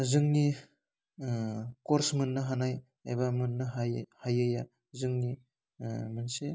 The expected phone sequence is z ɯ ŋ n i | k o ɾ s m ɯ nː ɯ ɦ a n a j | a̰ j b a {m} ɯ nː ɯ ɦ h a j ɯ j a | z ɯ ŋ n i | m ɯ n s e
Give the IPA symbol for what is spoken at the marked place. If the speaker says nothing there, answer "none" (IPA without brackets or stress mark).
m